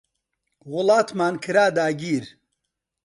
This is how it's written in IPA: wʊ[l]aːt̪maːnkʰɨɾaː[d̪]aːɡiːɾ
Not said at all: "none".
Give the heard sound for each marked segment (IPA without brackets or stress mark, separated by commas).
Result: l, d̪